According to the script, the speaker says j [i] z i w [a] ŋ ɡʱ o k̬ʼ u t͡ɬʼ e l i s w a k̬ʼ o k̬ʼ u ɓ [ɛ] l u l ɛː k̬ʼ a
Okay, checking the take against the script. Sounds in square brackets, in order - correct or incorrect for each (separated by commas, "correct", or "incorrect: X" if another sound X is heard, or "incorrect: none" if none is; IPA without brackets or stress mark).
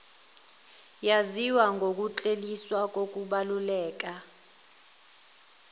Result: incorrect: a, correct, incorrect: a